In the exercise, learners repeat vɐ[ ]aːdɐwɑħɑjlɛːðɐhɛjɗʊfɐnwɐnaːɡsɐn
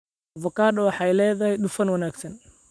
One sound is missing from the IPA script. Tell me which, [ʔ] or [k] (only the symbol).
k